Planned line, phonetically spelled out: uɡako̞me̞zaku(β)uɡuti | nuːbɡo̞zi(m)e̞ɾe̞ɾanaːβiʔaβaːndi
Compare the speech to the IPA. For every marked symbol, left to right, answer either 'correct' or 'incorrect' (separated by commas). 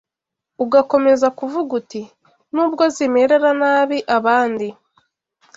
incorrect, correct